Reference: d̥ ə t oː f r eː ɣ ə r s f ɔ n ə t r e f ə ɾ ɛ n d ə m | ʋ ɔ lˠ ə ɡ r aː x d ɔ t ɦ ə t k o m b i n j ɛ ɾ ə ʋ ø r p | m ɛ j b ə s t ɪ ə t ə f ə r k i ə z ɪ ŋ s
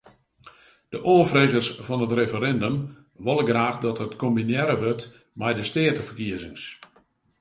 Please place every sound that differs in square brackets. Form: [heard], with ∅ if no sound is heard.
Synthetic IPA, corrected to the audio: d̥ ə [ʔ] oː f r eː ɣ ə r s f ɔ n ə t r e f ə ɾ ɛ n d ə m | ʋ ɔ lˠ ə ɡ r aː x d ɔ t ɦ ə t k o m b i n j ɛ ɾ ə ʋ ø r [t] | m ɛ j [d] ə s t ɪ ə t ə f ə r k i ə z ɪ ŋ s